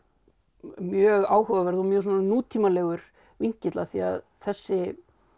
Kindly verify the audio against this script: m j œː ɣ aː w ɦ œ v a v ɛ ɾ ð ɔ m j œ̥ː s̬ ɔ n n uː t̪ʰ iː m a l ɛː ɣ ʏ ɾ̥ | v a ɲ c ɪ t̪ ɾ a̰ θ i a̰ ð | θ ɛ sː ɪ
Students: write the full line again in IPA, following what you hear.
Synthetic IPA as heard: m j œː ɣ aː w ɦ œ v a v ɛ ɾ ð ɔ m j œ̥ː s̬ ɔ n n uː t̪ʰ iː m a l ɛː ɣ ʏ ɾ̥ | v i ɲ c ɪ t̪ l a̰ θ i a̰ ð | θ ɛ sː ɪ

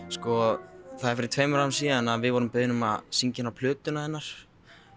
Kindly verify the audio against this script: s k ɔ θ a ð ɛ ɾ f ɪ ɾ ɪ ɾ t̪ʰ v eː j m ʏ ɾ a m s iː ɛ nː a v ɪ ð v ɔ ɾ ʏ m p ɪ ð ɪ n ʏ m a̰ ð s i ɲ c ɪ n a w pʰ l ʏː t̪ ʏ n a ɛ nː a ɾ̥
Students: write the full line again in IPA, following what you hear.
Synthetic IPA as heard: s k ɔ θ a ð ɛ ɾ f ɪ ɾ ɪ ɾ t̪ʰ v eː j m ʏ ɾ a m s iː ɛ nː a v ɪ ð v ɔ ɾ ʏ m p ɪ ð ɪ n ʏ m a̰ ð s i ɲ c ɪ n a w pʰ l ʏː t̪ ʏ n a ɛ nː a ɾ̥

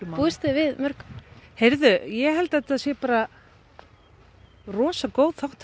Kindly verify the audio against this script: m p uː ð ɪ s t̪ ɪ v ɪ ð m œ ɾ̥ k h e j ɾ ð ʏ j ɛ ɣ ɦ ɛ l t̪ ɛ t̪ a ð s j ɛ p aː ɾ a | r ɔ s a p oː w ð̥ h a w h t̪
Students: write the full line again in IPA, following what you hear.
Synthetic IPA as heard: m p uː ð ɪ s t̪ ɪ v ɪ ð m œ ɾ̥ k h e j ɾ ð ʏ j ɛ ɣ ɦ ɛ l t̪ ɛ t̪ a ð s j ɛ p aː ɾ a | r ɔː s a k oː w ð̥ θ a w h t̪

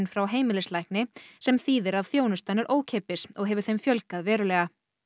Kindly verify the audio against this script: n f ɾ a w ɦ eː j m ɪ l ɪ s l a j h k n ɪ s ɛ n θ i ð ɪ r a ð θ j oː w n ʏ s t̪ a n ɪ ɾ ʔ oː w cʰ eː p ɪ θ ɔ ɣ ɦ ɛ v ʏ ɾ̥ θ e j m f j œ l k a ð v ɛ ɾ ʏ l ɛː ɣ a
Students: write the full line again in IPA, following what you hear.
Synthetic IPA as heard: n f ɾ a w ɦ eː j m ɪ l ɪ s l a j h k n ɪ s ɛ m θ iː ð ɪ ɾ a ð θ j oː w n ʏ s t̪ a n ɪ ɾ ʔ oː w cʰ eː p ɪ s ɔ ɣ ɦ ɛ v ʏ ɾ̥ θ e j m f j œ l k a ð v ɛː ɾ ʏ l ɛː ɣ a

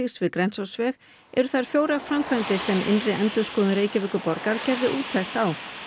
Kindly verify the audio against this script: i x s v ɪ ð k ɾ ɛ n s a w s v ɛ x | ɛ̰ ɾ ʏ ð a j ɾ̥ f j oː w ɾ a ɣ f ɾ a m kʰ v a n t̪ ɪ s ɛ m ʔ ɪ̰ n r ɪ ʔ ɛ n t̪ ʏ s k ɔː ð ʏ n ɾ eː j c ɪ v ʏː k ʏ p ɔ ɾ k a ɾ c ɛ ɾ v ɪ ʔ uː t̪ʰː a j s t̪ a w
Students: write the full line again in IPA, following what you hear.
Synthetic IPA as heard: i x s v ɪ ð k ɾ ɛ n s a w s v ɛ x | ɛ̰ ɾ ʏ θ a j ɾ̥ f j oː w ɾ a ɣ f ɾ a m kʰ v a n t̪ ɪ s ɛ m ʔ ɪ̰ n r ɪ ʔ ɛ n t̪ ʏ s k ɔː ð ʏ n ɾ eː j c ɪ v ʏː k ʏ p ɔ ɾ k a ɾ c ɛ ɾ ð ɪ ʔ uː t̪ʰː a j x t̪ a w

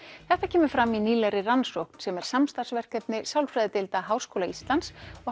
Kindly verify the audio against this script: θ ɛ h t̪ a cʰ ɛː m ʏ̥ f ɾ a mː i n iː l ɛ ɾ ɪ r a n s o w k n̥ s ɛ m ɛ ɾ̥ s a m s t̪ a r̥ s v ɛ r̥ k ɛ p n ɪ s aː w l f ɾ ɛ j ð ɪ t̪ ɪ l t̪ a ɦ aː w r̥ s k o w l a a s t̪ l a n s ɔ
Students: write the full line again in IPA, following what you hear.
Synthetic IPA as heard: θ ɛ h t̪ a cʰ ɛː m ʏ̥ f ɾ a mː i n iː l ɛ ɾ ɪ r a n s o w k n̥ s ɛ m ɛ ɾ̥ s a m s t̪ a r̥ s v ɛ r̥ k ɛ p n ɪ s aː w l f ɾ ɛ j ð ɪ t̪ ɪ l t̪ a ɦ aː w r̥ s k o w l a i s t̪ l a n s ɔ

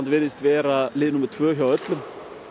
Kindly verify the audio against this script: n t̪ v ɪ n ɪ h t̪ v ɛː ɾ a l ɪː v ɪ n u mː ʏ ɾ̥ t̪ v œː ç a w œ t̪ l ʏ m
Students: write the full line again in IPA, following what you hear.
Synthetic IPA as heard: n t̪ v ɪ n ɪ s t̪ v ɛː ɾ a l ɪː ð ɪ n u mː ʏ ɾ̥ t̪ʰ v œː ç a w œ t̪ l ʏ m

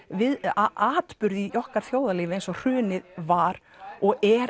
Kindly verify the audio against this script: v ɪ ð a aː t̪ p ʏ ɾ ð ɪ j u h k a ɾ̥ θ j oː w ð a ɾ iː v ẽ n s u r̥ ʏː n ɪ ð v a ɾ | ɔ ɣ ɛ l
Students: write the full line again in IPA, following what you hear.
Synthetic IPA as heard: v ɪ ð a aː t̪ p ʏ ɾ ð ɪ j ɔ h k a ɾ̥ θ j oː w ð a l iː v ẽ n s ɔ r̥ ʏː n ɪ ð v a ɾ | ɔ ɣ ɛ ɾ

